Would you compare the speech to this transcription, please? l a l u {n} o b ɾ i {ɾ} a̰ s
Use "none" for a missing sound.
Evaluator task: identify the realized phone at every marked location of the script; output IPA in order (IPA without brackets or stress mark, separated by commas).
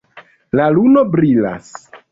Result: n, l